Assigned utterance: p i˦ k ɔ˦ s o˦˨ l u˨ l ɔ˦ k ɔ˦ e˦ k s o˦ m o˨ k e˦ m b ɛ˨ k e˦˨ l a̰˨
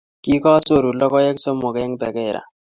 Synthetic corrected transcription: k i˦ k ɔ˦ s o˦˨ ɾ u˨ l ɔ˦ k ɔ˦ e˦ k s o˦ m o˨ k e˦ ŋ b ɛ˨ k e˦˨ ɾ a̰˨